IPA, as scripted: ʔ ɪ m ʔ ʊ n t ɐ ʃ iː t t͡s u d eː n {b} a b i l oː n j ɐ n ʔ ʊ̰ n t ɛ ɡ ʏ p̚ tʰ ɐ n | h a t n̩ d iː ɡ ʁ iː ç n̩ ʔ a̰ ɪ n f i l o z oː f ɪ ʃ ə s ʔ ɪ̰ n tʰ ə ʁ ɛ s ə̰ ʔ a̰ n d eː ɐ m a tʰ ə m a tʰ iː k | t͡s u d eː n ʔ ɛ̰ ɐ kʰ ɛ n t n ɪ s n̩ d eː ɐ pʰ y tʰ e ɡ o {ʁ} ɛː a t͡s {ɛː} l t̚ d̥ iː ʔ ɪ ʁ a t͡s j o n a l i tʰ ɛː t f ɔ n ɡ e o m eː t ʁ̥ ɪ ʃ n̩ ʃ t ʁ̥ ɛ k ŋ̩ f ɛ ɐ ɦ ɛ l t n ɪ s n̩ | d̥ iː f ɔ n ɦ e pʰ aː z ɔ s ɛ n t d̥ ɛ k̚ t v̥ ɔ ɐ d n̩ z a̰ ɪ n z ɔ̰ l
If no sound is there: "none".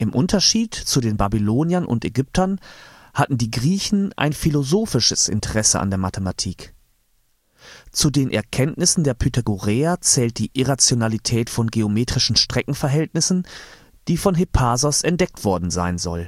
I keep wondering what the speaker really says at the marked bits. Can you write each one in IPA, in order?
b, ʁ, ɛː

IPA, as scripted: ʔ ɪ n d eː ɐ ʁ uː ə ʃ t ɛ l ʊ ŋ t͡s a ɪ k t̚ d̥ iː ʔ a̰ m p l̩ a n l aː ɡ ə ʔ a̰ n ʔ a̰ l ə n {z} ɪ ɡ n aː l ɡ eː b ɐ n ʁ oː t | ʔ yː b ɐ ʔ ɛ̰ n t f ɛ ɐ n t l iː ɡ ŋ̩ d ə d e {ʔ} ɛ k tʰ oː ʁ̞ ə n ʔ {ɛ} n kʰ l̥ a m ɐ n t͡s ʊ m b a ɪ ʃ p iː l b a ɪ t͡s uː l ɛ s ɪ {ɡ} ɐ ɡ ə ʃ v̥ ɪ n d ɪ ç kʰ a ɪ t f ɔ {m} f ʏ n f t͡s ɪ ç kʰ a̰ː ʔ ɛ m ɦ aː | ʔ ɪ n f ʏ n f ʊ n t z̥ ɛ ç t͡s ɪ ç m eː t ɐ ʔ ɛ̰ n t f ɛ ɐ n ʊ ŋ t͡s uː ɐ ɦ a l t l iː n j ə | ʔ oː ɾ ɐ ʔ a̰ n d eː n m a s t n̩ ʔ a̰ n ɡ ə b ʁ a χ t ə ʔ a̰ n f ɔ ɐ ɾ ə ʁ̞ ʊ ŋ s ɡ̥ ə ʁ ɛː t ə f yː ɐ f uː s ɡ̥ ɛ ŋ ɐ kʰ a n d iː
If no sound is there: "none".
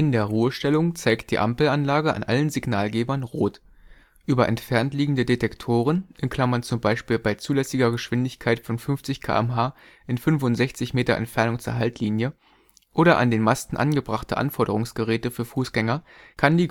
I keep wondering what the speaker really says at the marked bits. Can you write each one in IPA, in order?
z, t, ɛ, ɡ, n

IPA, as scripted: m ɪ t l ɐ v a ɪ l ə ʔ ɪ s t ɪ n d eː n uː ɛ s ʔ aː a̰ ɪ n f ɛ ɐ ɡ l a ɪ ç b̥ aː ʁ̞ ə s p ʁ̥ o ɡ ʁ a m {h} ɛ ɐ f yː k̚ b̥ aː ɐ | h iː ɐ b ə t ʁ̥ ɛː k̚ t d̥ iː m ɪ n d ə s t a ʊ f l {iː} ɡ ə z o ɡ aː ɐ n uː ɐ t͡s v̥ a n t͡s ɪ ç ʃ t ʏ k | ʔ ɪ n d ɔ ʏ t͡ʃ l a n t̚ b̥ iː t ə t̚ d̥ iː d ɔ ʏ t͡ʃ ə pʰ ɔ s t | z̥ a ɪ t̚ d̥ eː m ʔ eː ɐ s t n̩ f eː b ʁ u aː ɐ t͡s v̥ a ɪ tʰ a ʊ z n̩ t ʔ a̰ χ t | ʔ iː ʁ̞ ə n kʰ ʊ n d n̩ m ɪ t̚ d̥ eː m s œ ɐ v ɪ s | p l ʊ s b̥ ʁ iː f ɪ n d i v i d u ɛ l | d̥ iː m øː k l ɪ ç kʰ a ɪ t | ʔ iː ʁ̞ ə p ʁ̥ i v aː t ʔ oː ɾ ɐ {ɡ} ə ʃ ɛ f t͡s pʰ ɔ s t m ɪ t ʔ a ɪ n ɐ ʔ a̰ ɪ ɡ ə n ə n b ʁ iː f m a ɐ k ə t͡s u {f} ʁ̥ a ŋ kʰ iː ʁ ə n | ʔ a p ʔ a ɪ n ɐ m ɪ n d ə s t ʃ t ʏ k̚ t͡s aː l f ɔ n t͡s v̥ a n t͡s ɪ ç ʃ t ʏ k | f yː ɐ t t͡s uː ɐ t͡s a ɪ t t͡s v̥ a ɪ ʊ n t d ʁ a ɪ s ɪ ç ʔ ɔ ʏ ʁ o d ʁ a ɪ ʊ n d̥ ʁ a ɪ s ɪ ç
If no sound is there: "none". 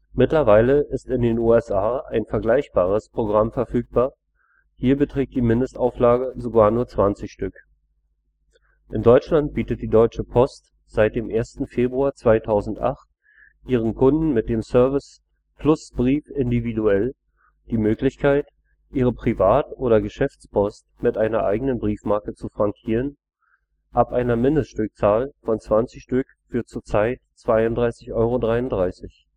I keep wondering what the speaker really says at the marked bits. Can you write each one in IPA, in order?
f, aː, ɡ, f

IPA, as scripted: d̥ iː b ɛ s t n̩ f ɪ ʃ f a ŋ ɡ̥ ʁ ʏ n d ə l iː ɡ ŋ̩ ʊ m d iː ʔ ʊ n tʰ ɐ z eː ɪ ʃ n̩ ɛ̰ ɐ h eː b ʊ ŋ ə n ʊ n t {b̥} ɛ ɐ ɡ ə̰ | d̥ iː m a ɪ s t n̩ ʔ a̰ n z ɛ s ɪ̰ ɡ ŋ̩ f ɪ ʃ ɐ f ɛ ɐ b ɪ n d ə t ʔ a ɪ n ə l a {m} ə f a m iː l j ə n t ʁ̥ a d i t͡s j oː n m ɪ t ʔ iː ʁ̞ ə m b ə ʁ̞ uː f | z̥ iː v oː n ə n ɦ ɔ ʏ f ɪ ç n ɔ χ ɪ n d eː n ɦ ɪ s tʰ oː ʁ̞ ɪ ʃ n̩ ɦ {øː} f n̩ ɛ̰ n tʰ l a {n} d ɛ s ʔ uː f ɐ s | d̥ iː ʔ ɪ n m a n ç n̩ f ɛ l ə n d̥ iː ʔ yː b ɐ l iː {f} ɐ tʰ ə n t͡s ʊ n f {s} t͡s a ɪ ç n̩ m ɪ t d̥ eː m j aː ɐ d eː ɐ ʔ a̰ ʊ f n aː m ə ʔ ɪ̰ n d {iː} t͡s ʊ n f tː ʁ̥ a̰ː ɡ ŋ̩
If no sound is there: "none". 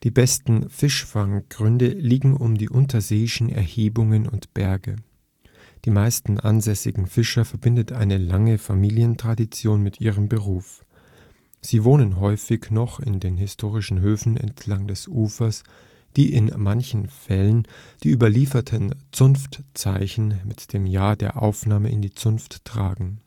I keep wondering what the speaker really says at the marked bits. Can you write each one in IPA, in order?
b̥, ŋ, øː, ŋ, f, t, iː

